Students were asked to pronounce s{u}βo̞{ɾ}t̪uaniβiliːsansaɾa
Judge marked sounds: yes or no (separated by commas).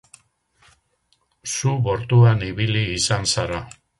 yes, yes